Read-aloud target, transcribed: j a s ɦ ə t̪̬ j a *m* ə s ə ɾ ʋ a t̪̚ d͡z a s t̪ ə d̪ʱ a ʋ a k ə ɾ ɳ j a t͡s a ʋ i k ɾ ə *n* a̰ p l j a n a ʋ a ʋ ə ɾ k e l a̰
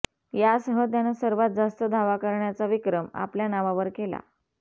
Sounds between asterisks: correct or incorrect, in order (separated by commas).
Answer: incorrect, incorrect